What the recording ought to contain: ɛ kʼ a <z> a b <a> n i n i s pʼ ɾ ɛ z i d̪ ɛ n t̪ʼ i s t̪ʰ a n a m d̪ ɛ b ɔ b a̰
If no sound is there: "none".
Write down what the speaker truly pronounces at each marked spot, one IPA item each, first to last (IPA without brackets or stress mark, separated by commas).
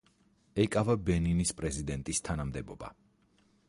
v, ɛ